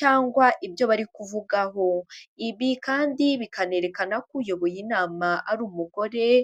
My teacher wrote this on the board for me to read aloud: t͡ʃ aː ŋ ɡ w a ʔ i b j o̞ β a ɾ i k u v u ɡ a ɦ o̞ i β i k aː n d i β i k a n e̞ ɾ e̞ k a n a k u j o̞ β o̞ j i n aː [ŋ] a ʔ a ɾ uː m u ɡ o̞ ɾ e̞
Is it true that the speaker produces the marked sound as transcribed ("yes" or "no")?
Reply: no